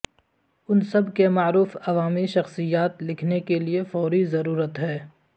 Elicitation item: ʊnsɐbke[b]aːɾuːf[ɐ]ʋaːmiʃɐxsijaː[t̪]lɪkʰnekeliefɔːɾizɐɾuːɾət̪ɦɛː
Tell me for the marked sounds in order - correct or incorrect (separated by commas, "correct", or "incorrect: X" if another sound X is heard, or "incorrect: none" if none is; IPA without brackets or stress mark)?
incorrect: m, correct, correct